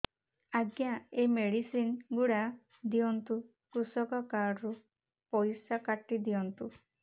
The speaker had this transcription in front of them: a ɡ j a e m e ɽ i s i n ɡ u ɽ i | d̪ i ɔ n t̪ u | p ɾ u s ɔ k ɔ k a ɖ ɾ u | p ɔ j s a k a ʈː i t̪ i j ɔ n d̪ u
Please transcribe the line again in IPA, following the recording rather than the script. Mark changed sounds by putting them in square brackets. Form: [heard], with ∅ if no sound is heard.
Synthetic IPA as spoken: a ɡ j a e m e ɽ i s i n ɡ u ɽ [a] | d̪ i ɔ n t̪ u | [k] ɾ u s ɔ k ɔ k a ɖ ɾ u | p ɔ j s a k a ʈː i [d̪] i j ɔ n [t̪] u